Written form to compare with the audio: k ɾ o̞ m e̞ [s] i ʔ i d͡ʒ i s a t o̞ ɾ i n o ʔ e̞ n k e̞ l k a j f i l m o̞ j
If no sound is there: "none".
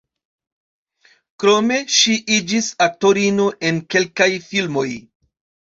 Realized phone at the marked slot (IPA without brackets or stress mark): ʃ